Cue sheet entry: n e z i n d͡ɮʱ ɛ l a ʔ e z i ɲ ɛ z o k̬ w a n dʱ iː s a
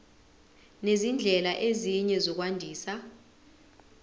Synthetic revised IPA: n e z i n d͡ɮʱ ɛ l a ʔ e z i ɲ ɛ z ɔ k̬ w a n dʱ iː s a